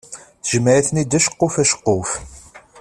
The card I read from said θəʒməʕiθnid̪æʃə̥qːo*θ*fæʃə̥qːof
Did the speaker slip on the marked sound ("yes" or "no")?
yes